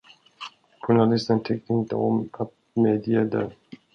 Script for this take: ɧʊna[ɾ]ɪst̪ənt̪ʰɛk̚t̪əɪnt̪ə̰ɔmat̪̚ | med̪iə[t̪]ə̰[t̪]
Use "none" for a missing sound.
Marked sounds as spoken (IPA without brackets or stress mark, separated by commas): l, d̪, none